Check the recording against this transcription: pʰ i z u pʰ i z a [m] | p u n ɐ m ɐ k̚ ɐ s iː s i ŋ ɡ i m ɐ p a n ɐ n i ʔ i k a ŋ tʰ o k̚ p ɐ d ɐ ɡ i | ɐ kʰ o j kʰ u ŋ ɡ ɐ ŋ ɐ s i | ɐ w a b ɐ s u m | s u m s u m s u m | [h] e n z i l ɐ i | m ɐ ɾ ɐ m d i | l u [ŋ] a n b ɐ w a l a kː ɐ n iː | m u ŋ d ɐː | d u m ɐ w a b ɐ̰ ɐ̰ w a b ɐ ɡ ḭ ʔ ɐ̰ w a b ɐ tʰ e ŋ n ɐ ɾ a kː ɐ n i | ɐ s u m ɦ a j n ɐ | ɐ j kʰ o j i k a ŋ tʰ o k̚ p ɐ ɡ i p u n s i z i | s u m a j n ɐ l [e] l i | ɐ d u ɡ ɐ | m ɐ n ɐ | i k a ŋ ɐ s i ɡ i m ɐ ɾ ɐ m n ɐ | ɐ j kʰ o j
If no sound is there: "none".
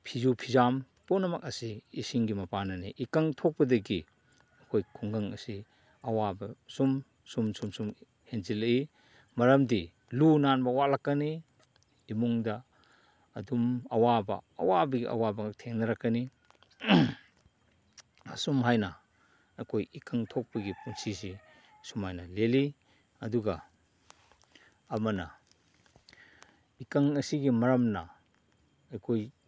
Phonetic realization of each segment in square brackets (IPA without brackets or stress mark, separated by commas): m, h, n, e